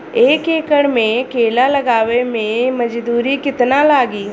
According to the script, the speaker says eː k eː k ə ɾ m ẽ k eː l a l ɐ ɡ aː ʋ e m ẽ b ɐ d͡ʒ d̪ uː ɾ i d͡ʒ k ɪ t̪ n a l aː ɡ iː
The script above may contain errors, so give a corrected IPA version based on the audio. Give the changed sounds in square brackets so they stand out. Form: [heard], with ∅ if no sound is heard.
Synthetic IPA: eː k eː k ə [ɽ] m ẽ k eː l a l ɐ ɡ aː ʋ e m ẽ [m] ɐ d͡ʒ d̪ uː ɾ i [∅] k ɪ t̪ n a l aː ɡ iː

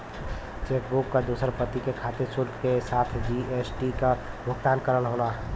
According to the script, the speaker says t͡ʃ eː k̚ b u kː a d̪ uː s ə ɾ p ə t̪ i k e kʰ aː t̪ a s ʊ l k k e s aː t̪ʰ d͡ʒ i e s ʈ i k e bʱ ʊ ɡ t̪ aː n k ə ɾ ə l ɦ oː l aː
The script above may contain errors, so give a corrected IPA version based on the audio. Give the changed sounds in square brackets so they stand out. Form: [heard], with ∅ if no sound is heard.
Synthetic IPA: t͡ʃ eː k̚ b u kː a d̪ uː s ə ɾ p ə t̪ i k e kʰ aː t̪ [e] s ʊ l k k e s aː t̪ʰ d͡ʒ i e s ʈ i k [a] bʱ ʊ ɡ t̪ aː n k ə ɾ ə l ɦ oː l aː

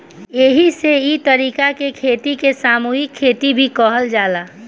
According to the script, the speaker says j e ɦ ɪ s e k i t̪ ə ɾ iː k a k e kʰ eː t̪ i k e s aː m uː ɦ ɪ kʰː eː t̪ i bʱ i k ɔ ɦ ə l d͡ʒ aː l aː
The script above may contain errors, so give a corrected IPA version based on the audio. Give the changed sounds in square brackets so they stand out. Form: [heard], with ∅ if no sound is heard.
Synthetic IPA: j e ɦ [i] s e [∅] i t̪ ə ɾ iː k a k e kʰ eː t̪ i k e s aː m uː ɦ ɪ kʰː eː t̪ i bʱ i k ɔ ɦ ə l d͡ʒ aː l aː

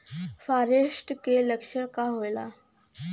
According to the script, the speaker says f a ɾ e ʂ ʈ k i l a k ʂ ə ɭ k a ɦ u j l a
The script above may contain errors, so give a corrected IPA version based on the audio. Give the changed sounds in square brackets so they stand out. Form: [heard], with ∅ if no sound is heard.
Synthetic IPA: f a ɾ e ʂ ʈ k [e] l [ə] k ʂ ə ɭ k a ɦ [o] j l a

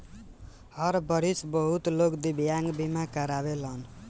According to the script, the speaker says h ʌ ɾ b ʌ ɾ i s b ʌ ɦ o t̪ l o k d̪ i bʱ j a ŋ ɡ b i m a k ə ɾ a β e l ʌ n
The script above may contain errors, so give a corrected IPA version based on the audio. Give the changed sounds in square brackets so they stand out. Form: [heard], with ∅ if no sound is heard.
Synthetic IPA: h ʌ ɾ b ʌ ɾ i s b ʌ ɦ [u] t̪ l o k d̪ i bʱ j a ŋ ɡ b i m a k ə ɾ a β e l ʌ n

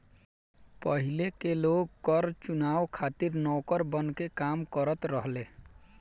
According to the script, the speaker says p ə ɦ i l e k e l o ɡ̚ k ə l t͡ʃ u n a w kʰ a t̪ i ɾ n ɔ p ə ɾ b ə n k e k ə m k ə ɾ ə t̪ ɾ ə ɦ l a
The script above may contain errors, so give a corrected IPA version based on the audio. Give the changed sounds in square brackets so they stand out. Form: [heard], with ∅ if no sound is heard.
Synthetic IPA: p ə ɦ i l e k e l o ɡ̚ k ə [ɾ] t͡ʃ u n a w kʰ a t̪ i ɾ n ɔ [k] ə ɾ b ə n k e k [a] m k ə ɾ ə t̪ ɾ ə ɦ l [e]

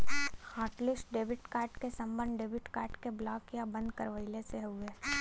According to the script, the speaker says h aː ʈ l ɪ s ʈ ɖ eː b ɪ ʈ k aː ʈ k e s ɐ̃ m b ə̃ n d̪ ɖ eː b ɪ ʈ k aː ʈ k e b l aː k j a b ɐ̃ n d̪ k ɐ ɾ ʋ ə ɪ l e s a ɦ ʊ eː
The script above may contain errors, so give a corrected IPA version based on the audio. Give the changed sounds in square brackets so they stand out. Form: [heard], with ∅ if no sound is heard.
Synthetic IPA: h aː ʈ l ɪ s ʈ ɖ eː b ɪ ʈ k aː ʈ k e s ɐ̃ m b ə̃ n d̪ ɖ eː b ɪ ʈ k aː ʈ k e b l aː k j a b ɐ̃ n d̪ k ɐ ɾ ʋ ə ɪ l e s [e] ɦ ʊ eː

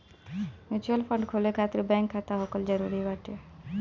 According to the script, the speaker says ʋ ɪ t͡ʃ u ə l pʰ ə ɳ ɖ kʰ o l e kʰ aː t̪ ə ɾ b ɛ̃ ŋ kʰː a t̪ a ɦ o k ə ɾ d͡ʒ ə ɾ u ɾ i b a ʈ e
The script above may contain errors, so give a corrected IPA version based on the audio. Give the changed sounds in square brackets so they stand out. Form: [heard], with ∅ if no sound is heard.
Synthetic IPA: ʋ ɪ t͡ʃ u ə l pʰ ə ɳ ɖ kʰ o l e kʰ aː t̪ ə ɾ b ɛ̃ ŋ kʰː a t̪ a ɦ o k ə [l] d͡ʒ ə ɾ u ɾ i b a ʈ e

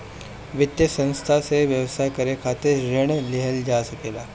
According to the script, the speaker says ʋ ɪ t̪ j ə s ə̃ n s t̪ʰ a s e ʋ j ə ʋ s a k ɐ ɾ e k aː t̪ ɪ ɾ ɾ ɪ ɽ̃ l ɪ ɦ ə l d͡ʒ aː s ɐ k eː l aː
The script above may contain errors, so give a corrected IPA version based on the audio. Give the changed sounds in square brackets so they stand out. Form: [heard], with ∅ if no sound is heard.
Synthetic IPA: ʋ ɪ t̪ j ə s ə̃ n s t̪ʰ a s e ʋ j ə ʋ s a k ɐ ɾ e [kʰ] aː t̪ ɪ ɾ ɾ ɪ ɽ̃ l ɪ ɦ ə l d͡ʒ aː s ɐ k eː l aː

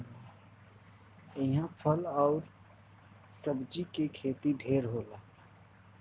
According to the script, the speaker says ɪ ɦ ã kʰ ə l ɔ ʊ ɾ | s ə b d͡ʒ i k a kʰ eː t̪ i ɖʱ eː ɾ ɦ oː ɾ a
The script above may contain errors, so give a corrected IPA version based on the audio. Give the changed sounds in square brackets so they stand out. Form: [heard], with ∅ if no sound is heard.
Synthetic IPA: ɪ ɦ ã [pʰ] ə l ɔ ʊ ɾ | s ə b d͡ʒ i k [e] kʰ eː t̪ i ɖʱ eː ɾ ɦ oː [l] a

